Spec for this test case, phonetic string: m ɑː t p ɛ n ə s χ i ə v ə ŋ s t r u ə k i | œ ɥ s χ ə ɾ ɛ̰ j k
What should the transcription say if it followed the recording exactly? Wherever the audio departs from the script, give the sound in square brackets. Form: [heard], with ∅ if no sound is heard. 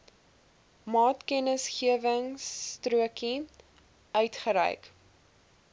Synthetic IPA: m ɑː t [k] ɛ n ə s χ i ə v ə ŋ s t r u ə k i | œ ɥ [t] χ ə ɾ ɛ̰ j k